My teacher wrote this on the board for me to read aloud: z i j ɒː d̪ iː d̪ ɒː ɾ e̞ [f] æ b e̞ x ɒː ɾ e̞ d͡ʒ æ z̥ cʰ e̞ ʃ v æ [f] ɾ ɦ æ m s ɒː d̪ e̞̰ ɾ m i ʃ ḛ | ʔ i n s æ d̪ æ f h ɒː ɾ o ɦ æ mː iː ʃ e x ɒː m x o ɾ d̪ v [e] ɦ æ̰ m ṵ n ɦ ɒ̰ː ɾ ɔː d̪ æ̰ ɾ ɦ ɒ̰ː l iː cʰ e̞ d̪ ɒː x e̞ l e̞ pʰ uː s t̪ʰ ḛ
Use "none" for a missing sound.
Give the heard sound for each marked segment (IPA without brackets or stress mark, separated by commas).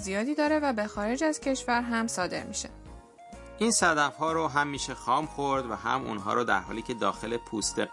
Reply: v, none, æ